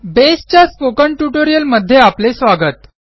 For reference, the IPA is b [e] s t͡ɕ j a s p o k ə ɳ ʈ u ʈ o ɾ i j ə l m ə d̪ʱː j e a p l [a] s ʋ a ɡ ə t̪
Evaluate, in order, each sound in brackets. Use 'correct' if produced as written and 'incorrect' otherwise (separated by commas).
correct, incorrect